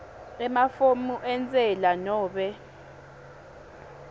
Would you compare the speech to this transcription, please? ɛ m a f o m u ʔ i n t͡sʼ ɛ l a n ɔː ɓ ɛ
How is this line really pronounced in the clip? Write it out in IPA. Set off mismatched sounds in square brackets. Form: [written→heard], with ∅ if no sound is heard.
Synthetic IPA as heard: ɛ m a f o m u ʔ [i→ɛ] n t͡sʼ ɛ l a n ɔː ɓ ɛ